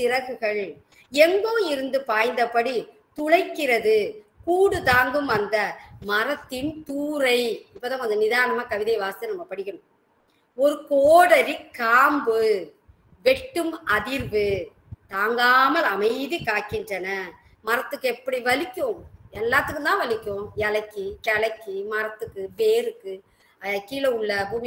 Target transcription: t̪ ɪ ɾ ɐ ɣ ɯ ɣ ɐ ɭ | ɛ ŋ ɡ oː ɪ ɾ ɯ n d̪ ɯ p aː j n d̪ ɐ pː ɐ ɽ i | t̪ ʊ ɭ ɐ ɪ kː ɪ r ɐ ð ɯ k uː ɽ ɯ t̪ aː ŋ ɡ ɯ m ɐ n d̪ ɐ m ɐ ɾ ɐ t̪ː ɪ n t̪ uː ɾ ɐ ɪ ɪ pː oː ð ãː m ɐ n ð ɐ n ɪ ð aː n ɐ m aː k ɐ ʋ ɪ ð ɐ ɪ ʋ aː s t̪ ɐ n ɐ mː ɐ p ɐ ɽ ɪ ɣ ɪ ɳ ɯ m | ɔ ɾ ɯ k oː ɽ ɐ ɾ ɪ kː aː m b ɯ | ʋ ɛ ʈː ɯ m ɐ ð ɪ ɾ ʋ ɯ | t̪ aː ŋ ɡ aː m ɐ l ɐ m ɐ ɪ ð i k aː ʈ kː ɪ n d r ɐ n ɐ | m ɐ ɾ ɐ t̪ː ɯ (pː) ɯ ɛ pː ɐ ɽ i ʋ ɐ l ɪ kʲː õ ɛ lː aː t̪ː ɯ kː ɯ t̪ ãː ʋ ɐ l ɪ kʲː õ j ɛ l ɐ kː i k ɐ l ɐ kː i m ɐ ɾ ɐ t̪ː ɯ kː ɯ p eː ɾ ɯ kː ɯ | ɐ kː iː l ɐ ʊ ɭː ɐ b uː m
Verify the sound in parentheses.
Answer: incorrect: kː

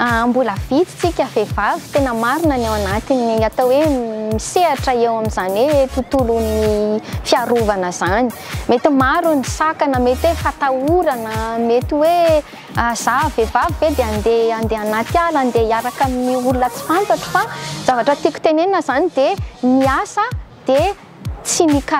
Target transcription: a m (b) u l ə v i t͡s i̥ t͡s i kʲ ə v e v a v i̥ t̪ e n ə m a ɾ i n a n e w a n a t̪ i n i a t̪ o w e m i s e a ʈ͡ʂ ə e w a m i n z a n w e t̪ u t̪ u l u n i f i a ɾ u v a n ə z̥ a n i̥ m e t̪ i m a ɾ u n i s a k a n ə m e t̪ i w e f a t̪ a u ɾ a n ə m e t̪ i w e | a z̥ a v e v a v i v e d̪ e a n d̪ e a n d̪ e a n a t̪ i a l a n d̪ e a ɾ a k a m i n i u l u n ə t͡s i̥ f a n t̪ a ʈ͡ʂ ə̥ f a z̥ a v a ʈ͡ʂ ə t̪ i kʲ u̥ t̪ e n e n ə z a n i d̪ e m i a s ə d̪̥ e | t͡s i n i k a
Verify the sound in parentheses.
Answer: correct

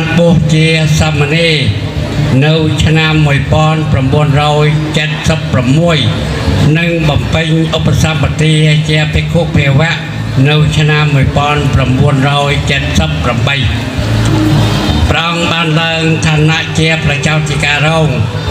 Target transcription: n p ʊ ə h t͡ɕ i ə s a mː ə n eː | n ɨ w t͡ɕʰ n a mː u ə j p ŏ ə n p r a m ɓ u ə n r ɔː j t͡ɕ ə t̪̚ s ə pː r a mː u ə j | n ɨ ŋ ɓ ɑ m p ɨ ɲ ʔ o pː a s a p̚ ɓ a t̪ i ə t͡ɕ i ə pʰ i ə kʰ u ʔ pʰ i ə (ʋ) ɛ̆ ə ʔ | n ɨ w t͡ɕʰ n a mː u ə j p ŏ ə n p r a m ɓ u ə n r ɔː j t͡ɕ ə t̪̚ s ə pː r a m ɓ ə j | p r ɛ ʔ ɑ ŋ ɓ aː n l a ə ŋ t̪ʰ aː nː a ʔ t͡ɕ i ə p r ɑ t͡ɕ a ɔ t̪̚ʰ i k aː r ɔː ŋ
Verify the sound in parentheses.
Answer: correct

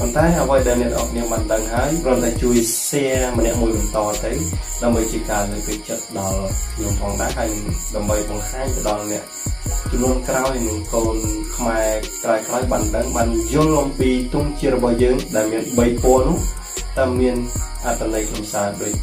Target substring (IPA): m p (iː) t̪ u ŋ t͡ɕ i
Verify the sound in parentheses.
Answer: correct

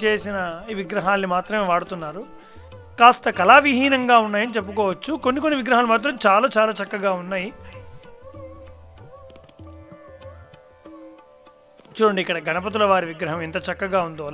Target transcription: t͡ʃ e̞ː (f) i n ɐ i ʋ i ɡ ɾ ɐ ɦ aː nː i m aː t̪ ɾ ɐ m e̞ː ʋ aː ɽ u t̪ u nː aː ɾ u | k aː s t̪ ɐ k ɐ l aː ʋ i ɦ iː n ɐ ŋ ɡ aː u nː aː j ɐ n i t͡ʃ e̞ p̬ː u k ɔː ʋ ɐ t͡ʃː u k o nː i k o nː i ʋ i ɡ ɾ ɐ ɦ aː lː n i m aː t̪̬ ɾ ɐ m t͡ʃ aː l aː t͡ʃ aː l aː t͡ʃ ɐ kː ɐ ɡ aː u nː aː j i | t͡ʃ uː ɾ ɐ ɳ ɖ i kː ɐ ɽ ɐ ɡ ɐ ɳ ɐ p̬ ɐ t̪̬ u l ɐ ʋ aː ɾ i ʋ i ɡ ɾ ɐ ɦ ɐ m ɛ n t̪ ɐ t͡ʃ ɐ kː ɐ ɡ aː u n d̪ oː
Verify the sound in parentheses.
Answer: incorrect: s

